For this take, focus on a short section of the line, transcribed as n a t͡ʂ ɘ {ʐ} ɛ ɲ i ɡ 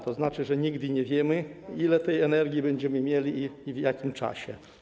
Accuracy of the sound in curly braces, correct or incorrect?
correct